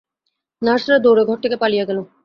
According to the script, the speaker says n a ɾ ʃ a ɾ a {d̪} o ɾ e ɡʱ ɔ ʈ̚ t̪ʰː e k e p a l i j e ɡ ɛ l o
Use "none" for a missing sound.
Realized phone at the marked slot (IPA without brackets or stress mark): d̪